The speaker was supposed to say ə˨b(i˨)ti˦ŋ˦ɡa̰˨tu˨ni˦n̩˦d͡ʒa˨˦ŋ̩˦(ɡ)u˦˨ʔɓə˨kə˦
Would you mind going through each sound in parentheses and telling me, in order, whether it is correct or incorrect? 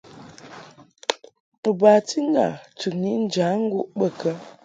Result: incorrect, correct

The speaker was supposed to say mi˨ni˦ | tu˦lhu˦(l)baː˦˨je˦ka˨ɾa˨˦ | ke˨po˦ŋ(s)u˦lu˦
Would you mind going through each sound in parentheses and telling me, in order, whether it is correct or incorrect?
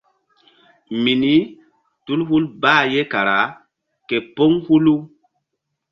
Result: correct, incorrect

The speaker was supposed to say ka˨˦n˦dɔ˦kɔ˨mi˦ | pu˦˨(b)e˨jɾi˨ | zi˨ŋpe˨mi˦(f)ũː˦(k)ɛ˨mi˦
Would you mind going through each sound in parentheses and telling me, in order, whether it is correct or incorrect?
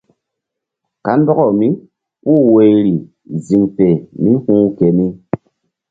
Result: incorrect, incorrect, correct

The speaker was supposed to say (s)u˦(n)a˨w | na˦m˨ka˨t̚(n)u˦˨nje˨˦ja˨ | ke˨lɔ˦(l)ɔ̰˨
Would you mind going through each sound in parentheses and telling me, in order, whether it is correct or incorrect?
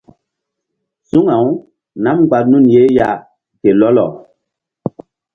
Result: correct, incorrect, correct, correct

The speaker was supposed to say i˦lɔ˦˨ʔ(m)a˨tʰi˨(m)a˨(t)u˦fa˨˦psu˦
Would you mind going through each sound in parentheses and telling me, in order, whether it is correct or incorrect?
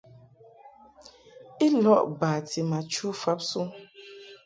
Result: incorrect, correct, incorrect

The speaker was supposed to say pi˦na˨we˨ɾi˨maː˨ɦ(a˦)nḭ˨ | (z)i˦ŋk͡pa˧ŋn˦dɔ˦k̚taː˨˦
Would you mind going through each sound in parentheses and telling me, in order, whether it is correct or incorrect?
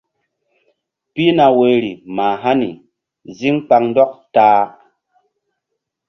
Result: correct, correct

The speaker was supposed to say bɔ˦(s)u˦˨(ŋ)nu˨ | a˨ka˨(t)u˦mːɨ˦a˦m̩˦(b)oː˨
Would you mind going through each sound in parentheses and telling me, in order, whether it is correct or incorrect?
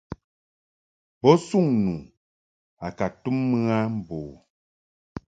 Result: correct, correct, correct, correct

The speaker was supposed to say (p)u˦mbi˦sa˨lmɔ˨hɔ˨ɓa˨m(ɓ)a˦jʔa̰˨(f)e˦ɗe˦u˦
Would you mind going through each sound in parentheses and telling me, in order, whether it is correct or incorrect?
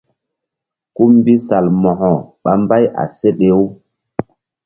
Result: incorrect, incorrect, incorrect

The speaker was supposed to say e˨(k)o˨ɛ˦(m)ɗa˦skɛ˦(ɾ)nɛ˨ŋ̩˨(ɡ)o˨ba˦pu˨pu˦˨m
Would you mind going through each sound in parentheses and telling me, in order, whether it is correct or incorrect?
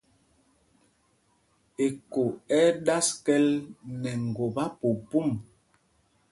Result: correct, incorrect, incorrect, correct

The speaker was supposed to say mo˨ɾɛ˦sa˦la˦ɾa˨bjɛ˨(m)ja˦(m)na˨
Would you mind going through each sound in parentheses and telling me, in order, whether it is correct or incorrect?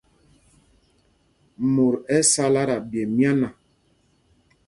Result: correct, incorrect

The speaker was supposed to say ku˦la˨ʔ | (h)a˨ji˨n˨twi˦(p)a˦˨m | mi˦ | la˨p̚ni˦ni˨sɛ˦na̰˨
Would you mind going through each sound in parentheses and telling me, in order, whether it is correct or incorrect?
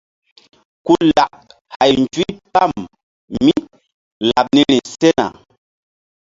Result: correct, correct

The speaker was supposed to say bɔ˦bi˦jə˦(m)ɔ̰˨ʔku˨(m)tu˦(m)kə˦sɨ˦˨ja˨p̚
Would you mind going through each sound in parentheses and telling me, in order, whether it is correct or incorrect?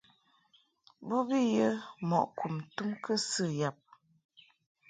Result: correct, correct, correct

